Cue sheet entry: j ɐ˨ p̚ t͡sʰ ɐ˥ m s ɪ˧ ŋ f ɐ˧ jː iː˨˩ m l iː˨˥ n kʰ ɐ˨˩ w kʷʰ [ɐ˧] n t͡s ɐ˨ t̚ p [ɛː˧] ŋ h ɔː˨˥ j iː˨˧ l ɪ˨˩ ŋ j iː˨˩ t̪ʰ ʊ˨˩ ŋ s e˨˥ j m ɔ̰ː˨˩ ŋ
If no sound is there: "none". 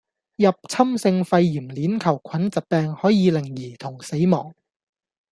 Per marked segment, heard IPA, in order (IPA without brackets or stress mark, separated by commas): ɐ˨˥, ɛː˧